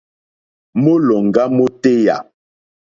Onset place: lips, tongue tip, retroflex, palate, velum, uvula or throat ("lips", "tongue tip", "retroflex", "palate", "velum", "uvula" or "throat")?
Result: lips